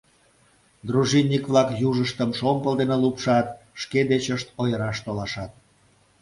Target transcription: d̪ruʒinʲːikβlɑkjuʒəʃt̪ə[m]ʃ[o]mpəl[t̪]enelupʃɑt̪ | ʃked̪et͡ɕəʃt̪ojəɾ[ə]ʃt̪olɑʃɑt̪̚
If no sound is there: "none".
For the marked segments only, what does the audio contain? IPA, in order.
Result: m, o, d̪, ɑ

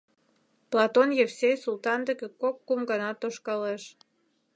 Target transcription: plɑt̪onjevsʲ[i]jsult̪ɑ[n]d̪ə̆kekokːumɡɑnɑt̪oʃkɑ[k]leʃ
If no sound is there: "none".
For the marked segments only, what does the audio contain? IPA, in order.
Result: e, n, none

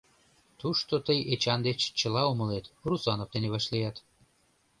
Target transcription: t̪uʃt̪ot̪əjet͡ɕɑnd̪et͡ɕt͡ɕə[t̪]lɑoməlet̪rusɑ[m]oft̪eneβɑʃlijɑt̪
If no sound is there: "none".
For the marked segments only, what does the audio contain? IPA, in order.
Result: none, n

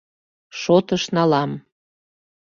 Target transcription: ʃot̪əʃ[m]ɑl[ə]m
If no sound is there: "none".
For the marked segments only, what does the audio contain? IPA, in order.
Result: n, ɑ

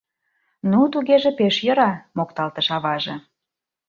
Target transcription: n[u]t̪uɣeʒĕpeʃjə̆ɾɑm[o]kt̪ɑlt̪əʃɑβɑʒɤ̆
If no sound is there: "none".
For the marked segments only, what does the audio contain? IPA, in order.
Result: u, o

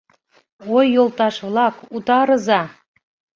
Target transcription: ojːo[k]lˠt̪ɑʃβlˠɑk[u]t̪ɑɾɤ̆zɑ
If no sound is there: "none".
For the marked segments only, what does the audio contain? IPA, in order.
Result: none, u

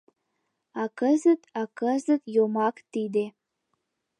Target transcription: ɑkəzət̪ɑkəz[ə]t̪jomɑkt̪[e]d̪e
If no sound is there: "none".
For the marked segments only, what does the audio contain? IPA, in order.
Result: ə, i

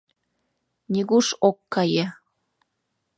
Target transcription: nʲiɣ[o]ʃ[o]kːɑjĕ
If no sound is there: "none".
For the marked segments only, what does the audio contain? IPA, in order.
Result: u, o

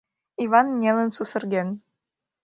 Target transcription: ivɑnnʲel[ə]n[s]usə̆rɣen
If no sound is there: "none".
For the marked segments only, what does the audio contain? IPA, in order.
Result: ə, s

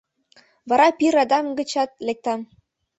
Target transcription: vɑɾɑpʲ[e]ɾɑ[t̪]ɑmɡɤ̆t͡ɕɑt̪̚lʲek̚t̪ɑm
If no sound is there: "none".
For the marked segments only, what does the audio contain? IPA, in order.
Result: i, d̪

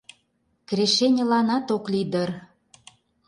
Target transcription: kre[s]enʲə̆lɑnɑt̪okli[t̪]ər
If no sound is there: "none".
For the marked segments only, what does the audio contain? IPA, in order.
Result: ʃ, d̪

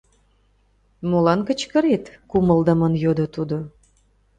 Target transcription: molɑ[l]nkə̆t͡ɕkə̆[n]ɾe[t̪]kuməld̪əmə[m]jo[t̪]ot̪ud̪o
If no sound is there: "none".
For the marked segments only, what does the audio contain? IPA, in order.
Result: none, none, t̪, n, d̪

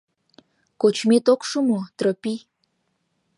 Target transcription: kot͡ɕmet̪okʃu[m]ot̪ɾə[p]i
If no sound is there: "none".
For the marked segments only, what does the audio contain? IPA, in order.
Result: m, p

